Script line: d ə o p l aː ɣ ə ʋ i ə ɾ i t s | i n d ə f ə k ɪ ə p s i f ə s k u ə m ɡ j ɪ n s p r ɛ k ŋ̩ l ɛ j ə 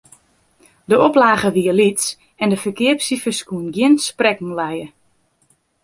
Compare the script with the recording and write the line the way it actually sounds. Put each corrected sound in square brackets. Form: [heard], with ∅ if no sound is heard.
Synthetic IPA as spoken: d ə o p l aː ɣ ə ʋ i ə [l] i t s | [ɛ] n d ə f ə k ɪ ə p s i f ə s k u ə [n] ɡ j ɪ n s p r ɛ k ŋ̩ l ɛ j ə